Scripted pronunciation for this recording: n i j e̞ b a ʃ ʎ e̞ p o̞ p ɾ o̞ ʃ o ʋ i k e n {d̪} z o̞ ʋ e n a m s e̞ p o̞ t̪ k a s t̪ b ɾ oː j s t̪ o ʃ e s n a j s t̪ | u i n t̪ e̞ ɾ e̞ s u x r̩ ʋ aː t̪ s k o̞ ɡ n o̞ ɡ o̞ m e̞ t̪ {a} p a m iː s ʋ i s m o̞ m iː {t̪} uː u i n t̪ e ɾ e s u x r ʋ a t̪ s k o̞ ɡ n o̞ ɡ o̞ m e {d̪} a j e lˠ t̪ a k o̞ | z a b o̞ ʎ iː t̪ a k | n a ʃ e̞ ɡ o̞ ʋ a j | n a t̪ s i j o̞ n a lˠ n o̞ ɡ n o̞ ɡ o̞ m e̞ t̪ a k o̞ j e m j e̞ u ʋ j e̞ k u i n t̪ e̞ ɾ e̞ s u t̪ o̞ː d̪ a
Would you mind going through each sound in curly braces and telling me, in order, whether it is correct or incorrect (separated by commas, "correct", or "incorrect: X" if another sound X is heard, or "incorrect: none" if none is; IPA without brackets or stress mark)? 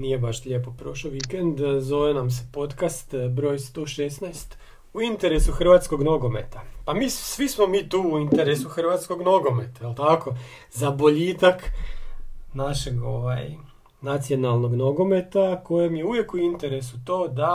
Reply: correct, correct, correct, incorrect: t̪